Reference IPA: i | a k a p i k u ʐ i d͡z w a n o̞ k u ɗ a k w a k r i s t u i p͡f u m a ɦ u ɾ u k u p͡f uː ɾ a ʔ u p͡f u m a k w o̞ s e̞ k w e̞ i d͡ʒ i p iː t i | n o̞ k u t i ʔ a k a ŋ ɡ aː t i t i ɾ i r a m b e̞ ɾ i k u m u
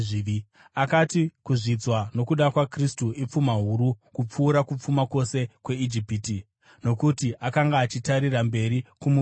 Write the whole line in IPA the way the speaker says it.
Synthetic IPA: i | a k a t i k u ʐ i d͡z w a n o̞ k u ɗ a k w a k r i s t u i p͡f u m a ɦ u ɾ u k u p͡f uː ɾ a k u p͡f u m a k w o̞ s e̞ k w e̞ i d͡ʒ i p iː t i | n o̞ k u t i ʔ a k a ŋ ɡ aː t͡ʃ i t a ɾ i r a m b e̞ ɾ i k u m u